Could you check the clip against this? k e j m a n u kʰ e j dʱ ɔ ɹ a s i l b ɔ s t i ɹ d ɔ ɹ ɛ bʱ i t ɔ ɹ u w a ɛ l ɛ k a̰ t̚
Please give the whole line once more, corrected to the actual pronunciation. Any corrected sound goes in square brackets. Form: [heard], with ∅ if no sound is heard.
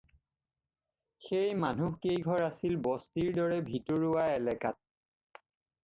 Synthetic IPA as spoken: [x] e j m a n u [k] e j [ɡʱ] ɔ ɹ a s i l b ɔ s t i ɹ d ɔ ɹ ɛ bʱ i t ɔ ɹ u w a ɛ l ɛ k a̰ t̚